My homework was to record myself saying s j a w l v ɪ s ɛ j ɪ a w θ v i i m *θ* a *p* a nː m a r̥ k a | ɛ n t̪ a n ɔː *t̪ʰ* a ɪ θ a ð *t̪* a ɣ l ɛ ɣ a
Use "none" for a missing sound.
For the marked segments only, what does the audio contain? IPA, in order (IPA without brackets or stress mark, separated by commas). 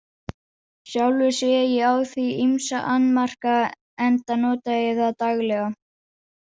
s, ʔ, t̪, t̪